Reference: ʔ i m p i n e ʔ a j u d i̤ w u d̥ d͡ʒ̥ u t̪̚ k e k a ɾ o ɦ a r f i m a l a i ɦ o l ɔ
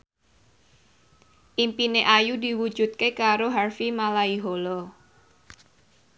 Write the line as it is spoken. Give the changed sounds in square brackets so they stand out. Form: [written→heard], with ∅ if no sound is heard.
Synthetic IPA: ʔ i m p i n e ʔ a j u d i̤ w u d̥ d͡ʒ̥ u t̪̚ k e k a ɾ o ɦ a r f i m a l a i ɦ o l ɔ